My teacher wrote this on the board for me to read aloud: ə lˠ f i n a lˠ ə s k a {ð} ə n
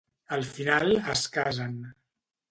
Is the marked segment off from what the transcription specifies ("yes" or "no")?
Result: yes